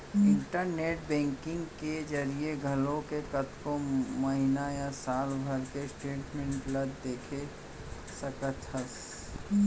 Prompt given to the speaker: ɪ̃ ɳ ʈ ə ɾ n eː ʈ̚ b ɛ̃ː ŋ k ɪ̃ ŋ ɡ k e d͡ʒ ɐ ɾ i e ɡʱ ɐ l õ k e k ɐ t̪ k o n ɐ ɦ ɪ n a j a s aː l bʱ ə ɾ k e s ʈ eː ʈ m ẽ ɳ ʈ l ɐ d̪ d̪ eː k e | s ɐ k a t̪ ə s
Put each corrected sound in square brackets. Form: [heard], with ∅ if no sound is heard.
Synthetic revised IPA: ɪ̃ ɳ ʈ ə ɾ n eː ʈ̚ b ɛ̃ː ŋ k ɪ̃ ŋ ɡ k e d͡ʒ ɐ ɾ i e ɡʱ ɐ l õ k e k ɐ t̪ k o [m] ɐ ɦ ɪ n a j a s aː l bʱ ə ɾ k e s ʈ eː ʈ m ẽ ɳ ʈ l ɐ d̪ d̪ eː [kʰ] e | s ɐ k [ə] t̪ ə s